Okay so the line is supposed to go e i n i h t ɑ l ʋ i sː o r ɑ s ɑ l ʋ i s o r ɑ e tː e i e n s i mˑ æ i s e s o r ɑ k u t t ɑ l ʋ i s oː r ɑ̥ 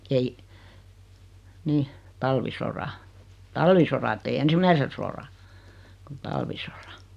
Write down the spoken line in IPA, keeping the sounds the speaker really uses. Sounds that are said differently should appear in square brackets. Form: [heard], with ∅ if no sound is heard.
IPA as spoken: e i n i h t ɑ l ʋ i [s] o r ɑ [t] ɑ l ʋ i s o r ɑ e tː e i e n s i mˑ æ i s e s o r ɑ k u t t ɑ l ʋ i s [o] r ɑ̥